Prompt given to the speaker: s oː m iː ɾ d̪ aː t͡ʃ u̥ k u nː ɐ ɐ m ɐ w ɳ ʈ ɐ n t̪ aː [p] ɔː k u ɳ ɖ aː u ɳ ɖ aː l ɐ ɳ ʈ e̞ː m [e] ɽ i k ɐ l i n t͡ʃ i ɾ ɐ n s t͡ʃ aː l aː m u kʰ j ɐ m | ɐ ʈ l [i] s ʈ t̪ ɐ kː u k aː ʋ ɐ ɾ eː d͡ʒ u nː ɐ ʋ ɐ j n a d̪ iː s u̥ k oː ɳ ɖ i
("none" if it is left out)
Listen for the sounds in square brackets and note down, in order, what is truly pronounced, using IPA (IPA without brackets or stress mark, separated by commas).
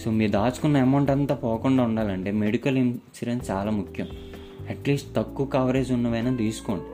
p, e, iː